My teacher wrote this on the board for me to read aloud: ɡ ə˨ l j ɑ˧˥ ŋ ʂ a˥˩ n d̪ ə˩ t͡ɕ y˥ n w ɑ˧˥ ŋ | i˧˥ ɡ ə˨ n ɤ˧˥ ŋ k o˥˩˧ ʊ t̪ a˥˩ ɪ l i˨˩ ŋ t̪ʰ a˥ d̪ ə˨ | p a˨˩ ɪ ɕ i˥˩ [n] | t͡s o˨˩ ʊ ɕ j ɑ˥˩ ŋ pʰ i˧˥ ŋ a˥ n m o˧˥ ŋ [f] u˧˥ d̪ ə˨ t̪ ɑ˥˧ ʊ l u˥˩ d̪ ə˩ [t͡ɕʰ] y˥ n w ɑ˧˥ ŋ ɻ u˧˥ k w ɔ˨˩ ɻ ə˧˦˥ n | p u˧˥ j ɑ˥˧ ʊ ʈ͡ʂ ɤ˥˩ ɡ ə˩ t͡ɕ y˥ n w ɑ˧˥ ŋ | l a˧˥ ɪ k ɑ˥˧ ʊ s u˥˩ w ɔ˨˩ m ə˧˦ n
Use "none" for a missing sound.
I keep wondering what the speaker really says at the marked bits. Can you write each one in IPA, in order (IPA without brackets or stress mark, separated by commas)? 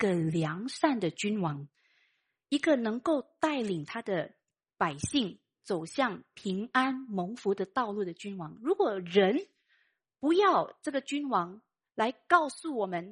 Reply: ŋ, f, t͡ɕ